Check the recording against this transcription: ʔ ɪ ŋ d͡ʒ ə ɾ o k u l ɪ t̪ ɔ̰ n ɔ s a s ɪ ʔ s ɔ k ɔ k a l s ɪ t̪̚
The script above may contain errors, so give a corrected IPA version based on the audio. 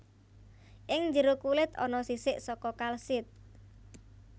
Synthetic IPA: ʔ ɪ ŋ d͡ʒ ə ɾ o k u l ɪ t̪ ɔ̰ n ɔ s i s ɪ ʔ s ɔ k ɔ k a l s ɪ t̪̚